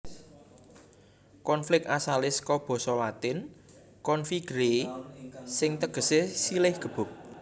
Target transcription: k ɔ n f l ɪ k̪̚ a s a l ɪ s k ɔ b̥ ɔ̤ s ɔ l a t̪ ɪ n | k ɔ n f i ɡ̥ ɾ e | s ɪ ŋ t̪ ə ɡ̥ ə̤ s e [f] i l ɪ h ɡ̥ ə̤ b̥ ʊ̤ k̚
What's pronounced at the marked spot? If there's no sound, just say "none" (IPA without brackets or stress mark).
s